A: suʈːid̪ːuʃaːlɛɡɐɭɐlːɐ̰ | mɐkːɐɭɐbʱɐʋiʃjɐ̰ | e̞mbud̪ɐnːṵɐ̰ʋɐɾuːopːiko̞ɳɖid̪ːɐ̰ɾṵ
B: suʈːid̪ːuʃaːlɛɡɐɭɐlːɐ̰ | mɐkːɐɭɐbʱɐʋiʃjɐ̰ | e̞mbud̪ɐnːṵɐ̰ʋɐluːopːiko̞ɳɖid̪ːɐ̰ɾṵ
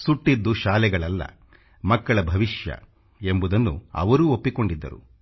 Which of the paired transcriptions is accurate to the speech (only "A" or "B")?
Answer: A